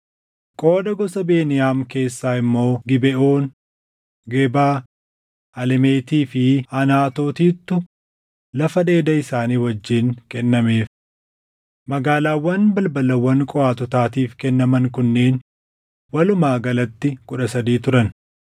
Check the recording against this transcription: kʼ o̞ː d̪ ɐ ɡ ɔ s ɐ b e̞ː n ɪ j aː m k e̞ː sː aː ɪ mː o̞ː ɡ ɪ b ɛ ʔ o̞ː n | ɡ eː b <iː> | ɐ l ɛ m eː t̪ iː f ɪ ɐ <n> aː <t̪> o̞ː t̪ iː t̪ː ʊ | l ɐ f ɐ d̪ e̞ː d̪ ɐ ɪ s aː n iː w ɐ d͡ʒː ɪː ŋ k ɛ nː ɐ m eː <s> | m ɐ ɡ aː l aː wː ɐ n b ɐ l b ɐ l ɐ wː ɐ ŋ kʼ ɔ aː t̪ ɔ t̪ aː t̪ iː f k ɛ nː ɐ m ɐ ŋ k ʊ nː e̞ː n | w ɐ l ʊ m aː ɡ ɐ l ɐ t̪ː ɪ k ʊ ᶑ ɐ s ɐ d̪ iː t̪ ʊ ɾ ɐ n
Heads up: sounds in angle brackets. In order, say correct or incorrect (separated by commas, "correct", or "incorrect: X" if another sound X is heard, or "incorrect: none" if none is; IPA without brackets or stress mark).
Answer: incorrect: aː, correct, correct, incorrect: f